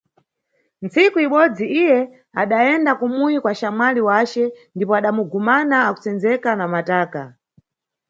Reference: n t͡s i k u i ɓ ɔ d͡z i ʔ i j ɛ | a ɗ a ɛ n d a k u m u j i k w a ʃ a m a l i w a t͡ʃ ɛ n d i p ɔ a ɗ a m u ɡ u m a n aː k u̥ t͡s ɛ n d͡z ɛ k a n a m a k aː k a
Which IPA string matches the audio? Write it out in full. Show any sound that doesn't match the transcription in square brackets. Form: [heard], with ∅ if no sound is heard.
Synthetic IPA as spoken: n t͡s i k u i ɓ ɔ d͡z i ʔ i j ɛ | a ɗ a ɛ n d a k u m u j i k w a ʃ a m a l i w a t͡ʃ ɛ n d i p ɔ a ɗ a m u ɡ u m a n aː k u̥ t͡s ɛ n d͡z ɛ k a n a m a [t] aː k a